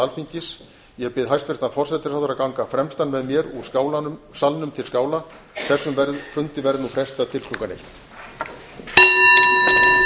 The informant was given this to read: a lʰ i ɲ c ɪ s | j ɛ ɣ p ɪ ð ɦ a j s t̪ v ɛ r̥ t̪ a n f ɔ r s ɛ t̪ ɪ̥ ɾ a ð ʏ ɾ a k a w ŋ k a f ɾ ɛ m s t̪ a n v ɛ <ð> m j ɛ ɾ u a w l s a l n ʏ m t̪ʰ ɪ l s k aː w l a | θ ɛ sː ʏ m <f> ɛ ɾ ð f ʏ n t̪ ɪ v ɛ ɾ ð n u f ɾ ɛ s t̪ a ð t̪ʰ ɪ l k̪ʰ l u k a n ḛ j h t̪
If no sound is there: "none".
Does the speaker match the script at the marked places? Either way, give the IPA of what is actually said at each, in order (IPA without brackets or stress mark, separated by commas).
ð, v